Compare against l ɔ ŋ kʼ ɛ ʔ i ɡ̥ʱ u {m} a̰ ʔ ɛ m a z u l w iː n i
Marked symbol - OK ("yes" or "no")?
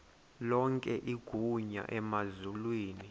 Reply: no